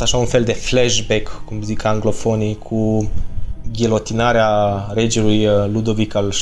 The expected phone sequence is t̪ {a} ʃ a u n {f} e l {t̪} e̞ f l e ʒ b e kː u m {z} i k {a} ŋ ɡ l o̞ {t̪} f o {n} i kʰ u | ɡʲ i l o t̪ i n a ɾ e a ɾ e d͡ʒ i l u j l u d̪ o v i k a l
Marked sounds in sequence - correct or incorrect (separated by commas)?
correct, correct, incorrect, correct, correct, incorrect, correct